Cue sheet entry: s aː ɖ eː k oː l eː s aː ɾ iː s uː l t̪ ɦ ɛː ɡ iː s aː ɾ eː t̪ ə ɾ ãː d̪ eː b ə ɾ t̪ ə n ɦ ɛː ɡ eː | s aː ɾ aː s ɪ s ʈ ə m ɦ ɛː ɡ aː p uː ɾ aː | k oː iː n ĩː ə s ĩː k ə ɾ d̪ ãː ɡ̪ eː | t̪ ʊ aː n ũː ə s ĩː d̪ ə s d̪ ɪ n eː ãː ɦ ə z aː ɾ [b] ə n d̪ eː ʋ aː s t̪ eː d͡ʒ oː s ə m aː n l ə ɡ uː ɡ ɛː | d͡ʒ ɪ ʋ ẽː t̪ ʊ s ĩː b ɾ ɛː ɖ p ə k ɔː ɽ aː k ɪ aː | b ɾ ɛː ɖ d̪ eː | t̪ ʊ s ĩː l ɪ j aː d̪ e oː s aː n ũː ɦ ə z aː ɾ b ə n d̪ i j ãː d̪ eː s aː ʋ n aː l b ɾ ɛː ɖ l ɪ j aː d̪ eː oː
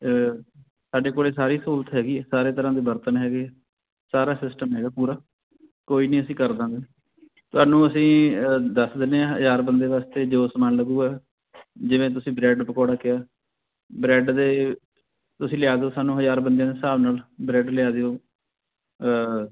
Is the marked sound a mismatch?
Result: no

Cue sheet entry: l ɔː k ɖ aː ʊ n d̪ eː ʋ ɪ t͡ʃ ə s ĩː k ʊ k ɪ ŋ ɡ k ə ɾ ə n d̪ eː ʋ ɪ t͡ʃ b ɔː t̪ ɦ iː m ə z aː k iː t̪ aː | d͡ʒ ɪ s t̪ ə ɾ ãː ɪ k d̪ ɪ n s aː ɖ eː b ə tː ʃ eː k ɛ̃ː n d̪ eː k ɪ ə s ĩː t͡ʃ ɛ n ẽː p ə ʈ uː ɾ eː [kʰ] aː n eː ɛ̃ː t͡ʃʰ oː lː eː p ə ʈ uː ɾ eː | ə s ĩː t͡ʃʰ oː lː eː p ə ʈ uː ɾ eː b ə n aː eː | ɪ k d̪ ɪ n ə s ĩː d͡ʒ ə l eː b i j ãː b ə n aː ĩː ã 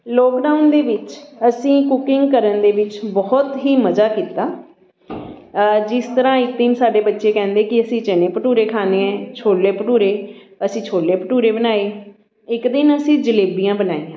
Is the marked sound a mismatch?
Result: no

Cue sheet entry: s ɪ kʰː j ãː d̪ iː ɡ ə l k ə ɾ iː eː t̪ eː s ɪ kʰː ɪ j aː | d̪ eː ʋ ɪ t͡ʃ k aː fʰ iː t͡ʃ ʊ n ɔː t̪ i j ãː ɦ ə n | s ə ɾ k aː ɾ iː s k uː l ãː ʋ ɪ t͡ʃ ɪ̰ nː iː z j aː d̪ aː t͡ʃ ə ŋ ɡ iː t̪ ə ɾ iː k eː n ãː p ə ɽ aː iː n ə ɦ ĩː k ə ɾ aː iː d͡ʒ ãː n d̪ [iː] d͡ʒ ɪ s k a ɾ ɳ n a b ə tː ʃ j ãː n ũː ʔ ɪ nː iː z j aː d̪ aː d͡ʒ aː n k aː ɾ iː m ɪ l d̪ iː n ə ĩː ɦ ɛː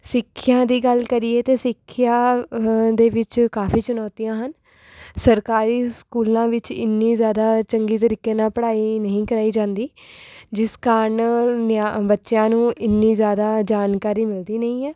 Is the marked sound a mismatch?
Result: no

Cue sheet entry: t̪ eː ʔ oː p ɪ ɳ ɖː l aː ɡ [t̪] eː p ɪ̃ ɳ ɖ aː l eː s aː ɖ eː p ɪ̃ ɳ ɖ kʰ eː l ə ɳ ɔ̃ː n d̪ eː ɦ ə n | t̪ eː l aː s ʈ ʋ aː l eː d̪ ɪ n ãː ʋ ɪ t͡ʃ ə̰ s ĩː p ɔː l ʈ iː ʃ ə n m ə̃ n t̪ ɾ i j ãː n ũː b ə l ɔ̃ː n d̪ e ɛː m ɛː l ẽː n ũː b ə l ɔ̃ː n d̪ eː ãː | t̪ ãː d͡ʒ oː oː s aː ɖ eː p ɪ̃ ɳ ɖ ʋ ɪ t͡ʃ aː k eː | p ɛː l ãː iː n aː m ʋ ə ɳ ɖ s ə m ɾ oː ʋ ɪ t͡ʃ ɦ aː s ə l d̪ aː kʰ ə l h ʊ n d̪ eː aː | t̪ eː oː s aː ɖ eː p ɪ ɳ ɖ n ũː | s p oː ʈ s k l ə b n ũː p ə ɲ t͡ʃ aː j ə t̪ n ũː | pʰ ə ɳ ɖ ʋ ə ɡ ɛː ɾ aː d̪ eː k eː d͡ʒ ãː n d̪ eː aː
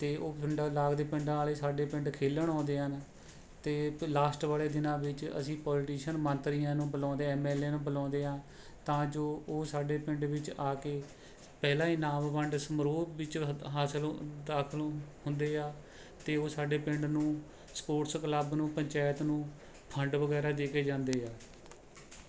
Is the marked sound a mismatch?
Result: yes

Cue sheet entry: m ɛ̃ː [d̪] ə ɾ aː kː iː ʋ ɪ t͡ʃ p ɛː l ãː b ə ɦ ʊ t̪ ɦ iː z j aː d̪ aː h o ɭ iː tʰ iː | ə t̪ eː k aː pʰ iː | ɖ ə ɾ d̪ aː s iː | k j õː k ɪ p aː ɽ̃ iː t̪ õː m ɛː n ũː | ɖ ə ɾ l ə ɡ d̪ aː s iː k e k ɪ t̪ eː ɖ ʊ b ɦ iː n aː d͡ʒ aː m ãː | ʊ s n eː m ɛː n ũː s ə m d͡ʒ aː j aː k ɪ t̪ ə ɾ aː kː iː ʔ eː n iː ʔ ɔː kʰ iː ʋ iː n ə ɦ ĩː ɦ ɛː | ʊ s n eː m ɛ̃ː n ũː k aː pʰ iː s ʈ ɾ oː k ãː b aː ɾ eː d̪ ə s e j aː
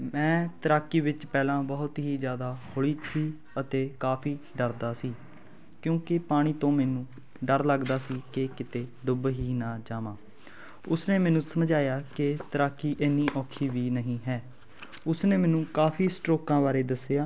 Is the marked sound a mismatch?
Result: yes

